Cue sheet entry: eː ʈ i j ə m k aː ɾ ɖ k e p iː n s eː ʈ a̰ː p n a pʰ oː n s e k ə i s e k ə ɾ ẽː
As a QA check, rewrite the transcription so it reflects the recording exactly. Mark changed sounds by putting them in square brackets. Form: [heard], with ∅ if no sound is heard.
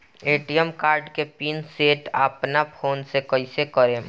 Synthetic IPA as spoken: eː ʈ i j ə m k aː ɾ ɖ k e p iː n s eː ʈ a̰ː p n a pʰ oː n s e k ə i s e k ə ɾ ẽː